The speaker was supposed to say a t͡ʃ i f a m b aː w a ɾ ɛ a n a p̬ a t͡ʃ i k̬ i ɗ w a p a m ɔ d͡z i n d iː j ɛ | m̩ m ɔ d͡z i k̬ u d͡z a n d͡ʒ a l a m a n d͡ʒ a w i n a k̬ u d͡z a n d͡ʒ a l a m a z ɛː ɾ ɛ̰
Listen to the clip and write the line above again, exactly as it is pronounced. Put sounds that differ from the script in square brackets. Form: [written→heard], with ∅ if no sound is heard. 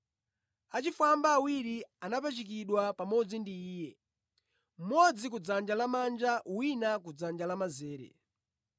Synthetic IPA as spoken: a t͡ʃ i f a m b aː w [a→i] ɾ [ɛ→i] a n a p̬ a t͡ʃ i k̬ i ɗ w a p a m ɔ d͡z i n d iː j ɛ | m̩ m ɔ d͡z i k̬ u d͡z a n d͡ʒ a l a m a n d͡ʒ a w i n a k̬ u d͡z a n d͡ʒ a l a m a z ɛː ɾ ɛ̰